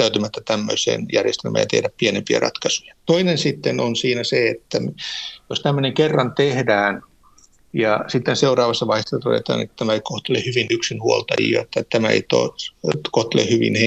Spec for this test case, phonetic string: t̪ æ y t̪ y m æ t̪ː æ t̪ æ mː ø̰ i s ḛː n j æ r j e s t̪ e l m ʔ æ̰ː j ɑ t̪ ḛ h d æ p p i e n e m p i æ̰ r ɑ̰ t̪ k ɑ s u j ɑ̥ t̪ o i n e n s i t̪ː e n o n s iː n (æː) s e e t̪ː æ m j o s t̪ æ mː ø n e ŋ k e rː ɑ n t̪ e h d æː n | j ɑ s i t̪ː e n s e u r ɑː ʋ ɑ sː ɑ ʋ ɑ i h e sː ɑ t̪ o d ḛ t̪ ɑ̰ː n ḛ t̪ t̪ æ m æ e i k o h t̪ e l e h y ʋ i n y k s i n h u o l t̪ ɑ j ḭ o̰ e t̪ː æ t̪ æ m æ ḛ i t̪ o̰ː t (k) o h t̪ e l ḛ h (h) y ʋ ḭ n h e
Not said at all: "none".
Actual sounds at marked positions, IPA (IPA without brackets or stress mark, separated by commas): æ, k, h